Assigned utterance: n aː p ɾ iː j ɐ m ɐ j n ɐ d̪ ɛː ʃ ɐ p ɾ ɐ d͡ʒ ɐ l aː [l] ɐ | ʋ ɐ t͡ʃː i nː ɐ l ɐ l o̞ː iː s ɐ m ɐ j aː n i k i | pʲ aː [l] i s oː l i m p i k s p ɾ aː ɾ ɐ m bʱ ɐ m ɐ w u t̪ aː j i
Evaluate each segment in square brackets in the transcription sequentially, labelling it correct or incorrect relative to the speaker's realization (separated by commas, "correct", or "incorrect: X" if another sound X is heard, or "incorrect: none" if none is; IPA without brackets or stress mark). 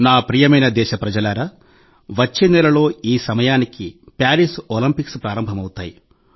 incorrect: ɾ, incorrect: ɾ